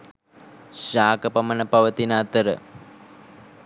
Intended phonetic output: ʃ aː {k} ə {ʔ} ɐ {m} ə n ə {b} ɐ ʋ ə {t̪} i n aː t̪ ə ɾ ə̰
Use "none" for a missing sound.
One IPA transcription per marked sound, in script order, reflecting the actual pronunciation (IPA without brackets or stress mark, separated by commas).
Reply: k, p, m, p, t̪